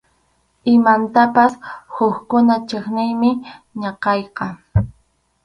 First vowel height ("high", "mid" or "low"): high